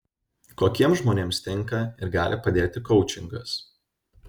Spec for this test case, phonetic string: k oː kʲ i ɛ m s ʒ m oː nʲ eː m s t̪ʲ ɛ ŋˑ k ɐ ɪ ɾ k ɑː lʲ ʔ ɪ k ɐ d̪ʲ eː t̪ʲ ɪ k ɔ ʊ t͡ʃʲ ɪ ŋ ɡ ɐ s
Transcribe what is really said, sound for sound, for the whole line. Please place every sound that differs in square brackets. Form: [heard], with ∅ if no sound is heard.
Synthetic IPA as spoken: k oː kʲ i ɛ m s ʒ m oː nʲ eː m s t̪ʲ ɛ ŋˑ k ɐ ɪ ɾ [ɡ] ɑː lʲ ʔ ɪ [p] ɐ d̪ʲ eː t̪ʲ ɪ k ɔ ʊ t͡ʃʲ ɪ ŋ ɡ ɐ s